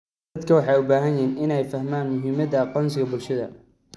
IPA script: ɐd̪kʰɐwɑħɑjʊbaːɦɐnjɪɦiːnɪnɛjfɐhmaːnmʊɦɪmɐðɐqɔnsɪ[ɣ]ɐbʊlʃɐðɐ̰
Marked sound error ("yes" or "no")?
no